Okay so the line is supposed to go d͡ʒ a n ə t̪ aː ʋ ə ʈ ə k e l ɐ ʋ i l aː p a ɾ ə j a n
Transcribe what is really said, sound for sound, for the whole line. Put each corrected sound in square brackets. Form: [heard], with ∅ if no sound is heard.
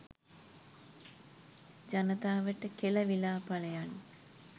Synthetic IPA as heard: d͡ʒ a n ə t̪ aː ʋ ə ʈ ə k e l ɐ ʋ i l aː p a [l] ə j a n